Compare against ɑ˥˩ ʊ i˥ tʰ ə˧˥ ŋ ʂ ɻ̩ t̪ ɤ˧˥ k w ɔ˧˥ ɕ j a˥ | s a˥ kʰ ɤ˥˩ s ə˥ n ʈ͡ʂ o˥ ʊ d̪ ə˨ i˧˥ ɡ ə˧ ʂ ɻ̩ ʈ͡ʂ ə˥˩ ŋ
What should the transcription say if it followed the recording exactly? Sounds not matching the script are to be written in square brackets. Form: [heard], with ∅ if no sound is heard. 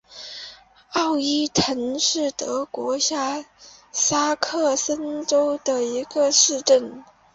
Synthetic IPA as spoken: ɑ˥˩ ʊ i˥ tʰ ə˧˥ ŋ ʂ ɻ̩ t̪ ɤ˧˥ k w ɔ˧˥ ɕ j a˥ | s a˥ kʰ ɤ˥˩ s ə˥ n ʈ͡ʂ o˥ ʊ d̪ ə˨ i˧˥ ɡ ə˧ ʂ ɻ̩ ʈ͡ʂ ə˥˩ [n]